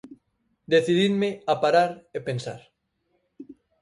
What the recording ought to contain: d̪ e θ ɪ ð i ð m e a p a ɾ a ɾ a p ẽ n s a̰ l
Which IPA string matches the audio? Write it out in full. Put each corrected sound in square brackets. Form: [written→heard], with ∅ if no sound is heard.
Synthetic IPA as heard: d̪ e θ [ɪ→i] ð i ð m e a p a ɾ a ɾ [a→e] p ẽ n s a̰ [l→ɾ]